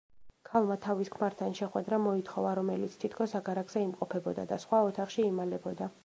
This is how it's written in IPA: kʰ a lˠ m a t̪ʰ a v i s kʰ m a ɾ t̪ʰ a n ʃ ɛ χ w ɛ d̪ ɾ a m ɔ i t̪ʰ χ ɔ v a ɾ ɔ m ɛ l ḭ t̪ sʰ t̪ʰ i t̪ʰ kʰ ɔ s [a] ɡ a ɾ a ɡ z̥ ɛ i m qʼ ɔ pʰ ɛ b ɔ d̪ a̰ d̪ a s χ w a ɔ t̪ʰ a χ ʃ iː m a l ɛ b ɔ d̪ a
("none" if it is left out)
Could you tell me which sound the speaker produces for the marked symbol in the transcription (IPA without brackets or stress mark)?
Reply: a